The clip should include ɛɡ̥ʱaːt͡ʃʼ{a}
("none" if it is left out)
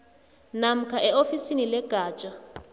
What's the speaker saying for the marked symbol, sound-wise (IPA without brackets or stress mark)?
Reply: a